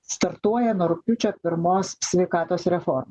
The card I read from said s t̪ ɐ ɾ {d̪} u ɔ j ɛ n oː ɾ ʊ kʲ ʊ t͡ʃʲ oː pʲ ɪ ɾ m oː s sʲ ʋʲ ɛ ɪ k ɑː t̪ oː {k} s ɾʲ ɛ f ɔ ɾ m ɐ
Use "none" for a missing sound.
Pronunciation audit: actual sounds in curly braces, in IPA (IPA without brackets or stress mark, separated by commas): t̪, none